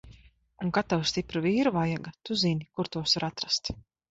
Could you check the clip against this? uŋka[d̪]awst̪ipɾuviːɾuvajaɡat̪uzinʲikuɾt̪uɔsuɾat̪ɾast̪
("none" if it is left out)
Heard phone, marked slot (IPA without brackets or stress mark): t̪